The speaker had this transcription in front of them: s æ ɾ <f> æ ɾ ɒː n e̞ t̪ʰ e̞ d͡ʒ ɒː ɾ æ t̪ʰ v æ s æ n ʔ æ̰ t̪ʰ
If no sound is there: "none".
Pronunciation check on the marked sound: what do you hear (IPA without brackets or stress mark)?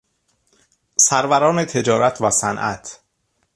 v